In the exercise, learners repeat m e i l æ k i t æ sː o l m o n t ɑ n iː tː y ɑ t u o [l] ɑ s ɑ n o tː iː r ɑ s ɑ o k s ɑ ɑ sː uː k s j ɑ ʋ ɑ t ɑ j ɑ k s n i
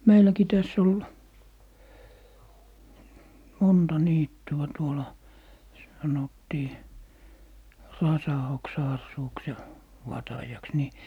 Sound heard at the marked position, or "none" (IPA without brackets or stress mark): l